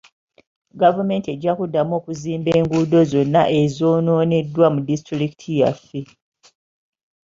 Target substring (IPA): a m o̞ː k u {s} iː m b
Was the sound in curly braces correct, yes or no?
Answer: no